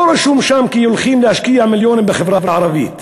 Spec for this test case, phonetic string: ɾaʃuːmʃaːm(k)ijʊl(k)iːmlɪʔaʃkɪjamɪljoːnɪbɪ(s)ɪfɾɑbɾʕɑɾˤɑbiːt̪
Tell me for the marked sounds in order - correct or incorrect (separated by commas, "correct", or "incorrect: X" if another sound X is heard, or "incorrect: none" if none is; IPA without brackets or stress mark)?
correct, incorrect: x, incorrect: x